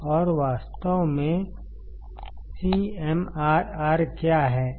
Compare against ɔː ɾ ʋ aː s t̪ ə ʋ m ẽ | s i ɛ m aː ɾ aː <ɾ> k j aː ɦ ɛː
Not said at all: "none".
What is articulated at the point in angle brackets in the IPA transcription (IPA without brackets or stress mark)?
ɾ